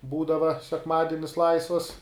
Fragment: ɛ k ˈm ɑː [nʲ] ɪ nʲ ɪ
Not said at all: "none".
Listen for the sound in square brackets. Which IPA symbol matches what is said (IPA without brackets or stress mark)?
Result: dʲ